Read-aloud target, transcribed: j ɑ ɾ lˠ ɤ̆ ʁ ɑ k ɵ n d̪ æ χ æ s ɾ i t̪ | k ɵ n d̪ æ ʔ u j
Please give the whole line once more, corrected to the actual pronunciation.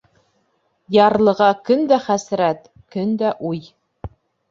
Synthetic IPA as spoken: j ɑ ɾ lˠ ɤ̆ ʁ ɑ k ɵ n d̪ æ χ æ s ɾ æ t̪ | k ɵ n d̪ æ ʔ u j